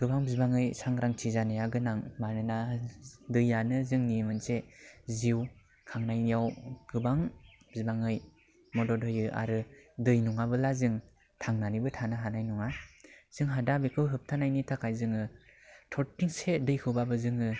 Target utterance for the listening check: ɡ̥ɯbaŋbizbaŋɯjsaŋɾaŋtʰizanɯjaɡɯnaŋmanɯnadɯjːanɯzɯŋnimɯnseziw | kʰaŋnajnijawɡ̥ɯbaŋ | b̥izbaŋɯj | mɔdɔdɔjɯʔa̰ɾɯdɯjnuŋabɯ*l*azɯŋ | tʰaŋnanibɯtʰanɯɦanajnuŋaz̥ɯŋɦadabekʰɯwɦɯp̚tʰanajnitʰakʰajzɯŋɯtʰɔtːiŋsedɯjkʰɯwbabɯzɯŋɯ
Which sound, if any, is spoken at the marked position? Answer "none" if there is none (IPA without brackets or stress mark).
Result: l